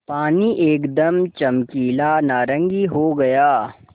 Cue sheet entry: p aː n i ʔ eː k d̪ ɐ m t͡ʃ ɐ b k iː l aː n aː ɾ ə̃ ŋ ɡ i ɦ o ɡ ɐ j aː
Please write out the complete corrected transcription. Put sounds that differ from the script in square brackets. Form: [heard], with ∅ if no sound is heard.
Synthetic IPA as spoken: p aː n i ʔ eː k d̪ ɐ m t͡ʃ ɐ [m] k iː l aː n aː ɾ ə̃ ŋ ɡ i ɦ o ɡ ɐ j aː